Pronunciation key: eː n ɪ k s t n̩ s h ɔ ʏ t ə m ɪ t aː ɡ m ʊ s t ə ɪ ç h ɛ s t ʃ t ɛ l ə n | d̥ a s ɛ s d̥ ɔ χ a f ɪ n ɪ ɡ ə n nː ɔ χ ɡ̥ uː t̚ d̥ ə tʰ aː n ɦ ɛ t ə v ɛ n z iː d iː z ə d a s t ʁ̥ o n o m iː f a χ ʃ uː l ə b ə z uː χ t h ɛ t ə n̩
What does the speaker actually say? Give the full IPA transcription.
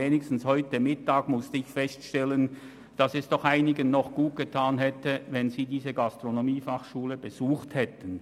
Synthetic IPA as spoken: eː n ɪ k s t n̩ s h ɔ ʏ t ə m ɪ t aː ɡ m ʊ s t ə ɪ ç f ɛ s t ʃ t ɛ l ə n | d̥ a s ɛ s d̥ ɔ χ a ɪ n ɪ ɡ ə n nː ɔ χ ɡ̥ uː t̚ ɡ̥ ə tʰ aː n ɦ ɛ t ə v ɛ n z iː d iː z ə ɡ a s t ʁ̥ o n o m iː f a χ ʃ uː l ə b ə z uː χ t h ɛ t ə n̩